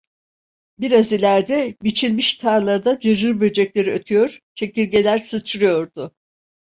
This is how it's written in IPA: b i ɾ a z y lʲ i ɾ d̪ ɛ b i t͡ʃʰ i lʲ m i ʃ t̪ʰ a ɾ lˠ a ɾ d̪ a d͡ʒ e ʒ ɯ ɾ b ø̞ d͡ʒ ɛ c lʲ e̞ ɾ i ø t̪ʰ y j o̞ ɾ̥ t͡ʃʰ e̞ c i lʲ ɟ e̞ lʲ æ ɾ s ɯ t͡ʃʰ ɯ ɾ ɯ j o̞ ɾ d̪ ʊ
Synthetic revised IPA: b i ɾ a z i lʲ æ ɾ d̪ ɛ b i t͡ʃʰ i lʲ m i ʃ t̪ʰ a ɾ lˠ a ɾ d̪ a d͡ʒ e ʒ ɯ ɾ b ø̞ d͡ʒ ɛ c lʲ e̞ ɾ i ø t̪ʰ y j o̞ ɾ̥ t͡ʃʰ e̞ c i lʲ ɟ e̞ lʲ æ ɾ s ɯ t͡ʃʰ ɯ ɾ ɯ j o̞ ɾ d̪ ʊ

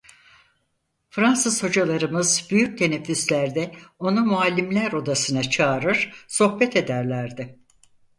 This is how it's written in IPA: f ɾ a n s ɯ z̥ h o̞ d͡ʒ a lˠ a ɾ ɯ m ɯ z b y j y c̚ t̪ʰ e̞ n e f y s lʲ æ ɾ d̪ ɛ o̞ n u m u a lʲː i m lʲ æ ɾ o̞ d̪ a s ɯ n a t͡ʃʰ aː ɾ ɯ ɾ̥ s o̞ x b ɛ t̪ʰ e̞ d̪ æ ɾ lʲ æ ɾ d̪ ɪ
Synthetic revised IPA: f ɾ a n s ɯ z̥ h o̞ d͡ʒ a lˠ a ɾ ɯ m ɯ z b y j y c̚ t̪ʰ e̞ n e f y s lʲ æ ɾ d̪ ɛ o̞ n u m u a lʲː i m lʲ æ ɾ o̞ d̪ a s ɯ n a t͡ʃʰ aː ɾ ɯ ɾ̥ s o̞ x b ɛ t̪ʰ e̞ d̪ æ ɾ lʲ æ ɾ d̪ ɪ

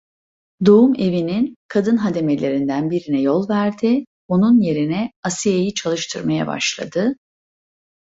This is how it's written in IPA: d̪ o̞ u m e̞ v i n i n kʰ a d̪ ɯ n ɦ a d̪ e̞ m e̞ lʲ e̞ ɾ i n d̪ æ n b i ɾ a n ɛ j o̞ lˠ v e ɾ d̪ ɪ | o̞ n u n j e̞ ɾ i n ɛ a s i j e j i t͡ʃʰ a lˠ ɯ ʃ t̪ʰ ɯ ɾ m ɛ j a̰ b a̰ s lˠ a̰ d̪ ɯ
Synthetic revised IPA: d̪ o̞ u m e̞ v i n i n kʰ a d̪ ɯ n ɦ a d̪ e̞ m e̞ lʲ e̞ ɾ i n d̪ æ n b i ɾ i n ɛ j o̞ lˠ v æ ɾ d̪ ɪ | o̞ n u n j e̞ ɾ i n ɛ a s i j e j i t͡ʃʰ a lˠ ɯ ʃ t̪ʰ ɯ ɾ m a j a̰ b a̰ ʃ lˠ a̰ d̪ ɯ

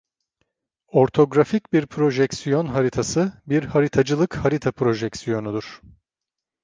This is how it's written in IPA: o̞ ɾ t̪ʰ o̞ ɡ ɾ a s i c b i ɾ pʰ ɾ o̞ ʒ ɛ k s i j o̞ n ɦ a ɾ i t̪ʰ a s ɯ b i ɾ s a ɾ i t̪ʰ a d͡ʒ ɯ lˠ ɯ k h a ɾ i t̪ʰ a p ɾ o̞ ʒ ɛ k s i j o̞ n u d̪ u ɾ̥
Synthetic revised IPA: o̞ ɾ t̪ʰ o̞ ɡ ɾ a f i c b i ɾ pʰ ɾ o̞ ʒ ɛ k s i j o̞ n ɦ a ɾ i t̪ʰ a s ɯ b i ɾ h a ɾ i t̪ʰ a d͡ʒ ɯ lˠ ɯ k h a ɾ i t̪ʰ a p ɾ o̞ ʒ ɛ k s i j o̞ n u d̪ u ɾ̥

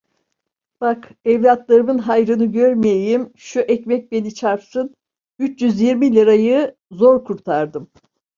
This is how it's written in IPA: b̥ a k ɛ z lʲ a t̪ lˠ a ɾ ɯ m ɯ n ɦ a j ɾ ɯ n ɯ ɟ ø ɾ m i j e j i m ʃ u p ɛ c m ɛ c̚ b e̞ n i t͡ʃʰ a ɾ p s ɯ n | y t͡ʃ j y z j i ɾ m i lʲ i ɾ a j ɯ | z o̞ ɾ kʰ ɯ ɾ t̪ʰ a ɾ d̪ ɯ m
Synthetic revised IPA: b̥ a k ɛ v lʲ a t̪ lˠ a ɾ ɯ m ɯ n ɦ a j ɾ ɯ n ɯ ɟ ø ɾ m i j e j i m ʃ u ʔ ɛ c m ɛ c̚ b e̞ n i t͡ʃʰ a ɾ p s ɯ n | y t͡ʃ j y z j i ɾ m i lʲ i ɾ a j ɯ | z o̞ ɾ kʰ u ɾ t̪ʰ a ɾ d̪ ɯ m

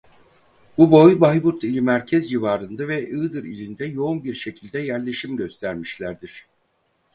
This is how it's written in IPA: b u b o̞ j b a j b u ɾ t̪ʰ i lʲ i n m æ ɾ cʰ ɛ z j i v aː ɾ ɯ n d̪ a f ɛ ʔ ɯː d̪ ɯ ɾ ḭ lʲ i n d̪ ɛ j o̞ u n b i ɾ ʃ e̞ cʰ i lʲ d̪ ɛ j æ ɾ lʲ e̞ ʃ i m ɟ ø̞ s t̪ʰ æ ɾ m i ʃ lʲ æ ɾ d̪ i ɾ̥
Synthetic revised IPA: b u b o̞ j b a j b u ɾ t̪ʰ i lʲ i m æ ɾ cʰ ɛ z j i v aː ɾ ɯ n d̪ a v ɛ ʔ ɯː d̪ ɯ ɾ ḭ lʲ i n d̪ ɛ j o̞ u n b i ɾ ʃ e̞ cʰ i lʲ d̪ ɛ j æ ɾ lʲ e̞ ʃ i m ɟ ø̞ s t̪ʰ æ ɾ m i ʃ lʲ æ ɾ d̪ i ɾ̥

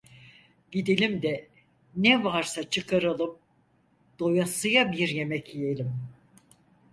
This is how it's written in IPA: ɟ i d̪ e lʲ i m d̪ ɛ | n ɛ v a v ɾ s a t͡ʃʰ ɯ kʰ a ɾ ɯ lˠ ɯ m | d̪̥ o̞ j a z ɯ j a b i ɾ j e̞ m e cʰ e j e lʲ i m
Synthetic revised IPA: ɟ i d̪ e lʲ i m d̪ ɛ | n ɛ v a ɾ s a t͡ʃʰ ɯ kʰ a ɾ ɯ lˠ ɯ m | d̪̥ o̞ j a s ɯ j a b i ɾ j e̞ m ɛ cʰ i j e lʲ i m

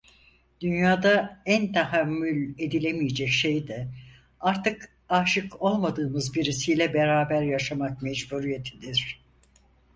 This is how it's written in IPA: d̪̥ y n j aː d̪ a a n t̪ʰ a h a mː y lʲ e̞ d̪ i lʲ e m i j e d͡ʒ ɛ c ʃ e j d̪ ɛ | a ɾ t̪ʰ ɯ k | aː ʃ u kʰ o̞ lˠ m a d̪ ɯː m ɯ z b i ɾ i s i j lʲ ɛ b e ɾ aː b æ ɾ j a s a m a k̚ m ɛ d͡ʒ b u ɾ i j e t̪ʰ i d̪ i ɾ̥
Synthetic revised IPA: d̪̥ y n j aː d̪ a æ n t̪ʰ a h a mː y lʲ e̞ d̪ i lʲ e m i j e d͡ʒ ɛ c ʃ e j d̪ ɛ | a ɾ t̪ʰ ɯ k | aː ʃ ɯ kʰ o̞ lˠ m a d̪ ɯː m ɯ z b i ɾ i s i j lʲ ɛ b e ɾ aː b æ ɾ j a ʃ a m a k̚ m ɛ d͡ʒ b u ɾ i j e t̪ʰ i d̪ i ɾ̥

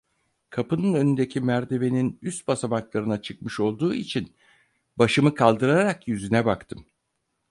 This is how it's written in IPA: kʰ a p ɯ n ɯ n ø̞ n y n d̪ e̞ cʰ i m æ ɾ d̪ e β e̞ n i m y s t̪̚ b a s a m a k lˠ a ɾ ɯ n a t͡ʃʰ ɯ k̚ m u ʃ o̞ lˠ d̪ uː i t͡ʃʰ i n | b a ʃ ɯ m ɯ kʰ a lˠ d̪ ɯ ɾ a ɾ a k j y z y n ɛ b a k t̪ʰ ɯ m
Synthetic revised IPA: kʰ a p ɯ n ɯ n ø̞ n y n d̪ e̞ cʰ i m æ ɾ d̪ e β e̞ n i n y s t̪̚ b a s a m a k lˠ a ɾ ɯ n a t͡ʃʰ ɯ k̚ m ɯ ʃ o̞ lˠ d̪ uː i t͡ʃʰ i n | b a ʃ ɯ m ɯ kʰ a lˠ d̪ ɯ ɾ a ɾ a k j y z y n ɛ b a k t̪ʰ ɯ m

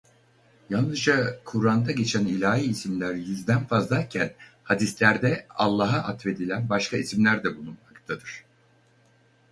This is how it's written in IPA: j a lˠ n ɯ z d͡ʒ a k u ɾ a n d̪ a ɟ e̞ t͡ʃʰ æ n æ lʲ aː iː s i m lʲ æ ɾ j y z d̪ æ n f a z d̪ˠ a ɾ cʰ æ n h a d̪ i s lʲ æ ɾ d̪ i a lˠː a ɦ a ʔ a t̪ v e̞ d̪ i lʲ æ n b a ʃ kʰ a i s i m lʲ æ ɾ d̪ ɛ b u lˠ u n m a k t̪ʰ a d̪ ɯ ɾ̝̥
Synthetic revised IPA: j a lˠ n ɯ z d͡ʒ a kʰ u ɾ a n d̪ a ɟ e̞ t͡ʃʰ æ n i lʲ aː iː s i m lʲ æ ɾ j y z d̪ æ n f a z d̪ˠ a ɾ cʰ æ n h a d̪ i s lʲ æ ɾ d̪ ɛ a lˠː a ɦ a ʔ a t̪ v e̞ d̪ i lʲ æ n b a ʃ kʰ a i s i m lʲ æ ɾ d̪ ɛ b u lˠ u n m a k t̪ʰ a d̪ ɯ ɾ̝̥

